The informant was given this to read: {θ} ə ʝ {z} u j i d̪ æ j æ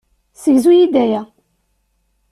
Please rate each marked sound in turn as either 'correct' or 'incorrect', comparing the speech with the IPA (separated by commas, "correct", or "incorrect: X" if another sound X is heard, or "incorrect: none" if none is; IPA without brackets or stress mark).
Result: incorrect: s, correct